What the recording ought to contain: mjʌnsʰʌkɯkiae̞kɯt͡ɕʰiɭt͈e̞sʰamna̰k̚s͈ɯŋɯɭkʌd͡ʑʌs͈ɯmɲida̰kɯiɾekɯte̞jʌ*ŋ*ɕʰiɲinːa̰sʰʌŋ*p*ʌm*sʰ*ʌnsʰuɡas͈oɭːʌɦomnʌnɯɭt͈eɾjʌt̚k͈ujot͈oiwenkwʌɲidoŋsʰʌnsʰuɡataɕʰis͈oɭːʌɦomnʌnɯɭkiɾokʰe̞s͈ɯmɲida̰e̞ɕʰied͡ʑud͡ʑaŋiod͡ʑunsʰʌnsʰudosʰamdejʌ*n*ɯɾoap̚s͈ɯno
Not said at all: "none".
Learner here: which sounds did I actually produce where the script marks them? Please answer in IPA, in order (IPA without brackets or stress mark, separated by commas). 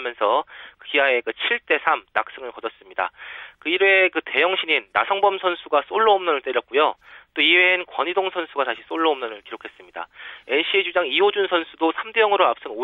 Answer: ŋ, b, sʰ, ŋ